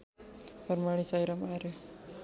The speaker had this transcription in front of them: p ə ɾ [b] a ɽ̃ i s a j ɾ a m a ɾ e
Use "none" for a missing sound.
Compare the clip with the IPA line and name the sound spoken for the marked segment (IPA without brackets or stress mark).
m